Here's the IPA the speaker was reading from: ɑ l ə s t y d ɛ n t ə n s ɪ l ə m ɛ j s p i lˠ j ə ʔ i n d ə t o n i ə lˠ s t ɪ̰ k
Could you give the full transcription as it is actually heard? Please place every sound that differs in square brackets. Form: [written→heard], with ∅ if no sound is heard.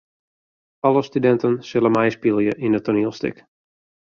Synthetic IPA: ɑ l ə s t y d ɛ n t ə n s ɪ l ə m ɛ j s p i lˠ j ə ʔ i n d ə t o n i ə lˠ s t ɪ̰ k